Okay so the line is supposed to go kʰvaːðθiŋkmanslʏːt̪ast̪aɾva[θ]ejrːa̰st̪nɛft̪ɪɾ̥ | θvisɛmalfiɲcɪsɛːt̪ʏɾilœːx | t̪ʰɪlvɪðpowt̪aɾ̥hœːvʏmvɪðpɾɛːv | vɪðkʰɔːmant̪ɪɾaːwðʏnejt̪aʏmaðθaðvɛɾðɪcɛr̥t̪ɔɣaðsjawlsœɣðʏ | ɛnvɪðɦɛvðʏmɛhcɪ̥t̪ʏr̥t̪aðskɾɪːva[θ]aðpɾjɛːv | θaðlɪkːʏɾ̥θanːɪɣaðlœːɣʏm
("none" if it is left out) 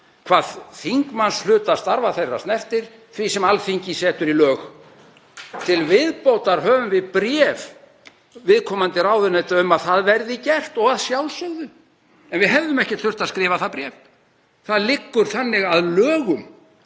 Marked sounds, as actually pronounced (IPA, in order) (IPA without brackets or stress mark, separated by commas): θ, θ